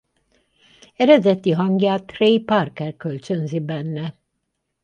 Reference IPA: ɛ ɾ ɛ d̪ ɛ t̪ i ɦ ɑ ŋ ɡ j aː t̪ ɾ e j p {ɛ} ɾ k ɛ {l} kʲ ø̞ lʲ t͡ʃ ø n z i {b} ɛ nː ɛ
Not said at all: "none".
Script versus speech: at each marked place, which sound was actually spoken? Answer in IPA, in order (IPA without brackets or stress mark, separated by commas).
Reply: a, ɾ, b